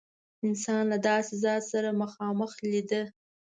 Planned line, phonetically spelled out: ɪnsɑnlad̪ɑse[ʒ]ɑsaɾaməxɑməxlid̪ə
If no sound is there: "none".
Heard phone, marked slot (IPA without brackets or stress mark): z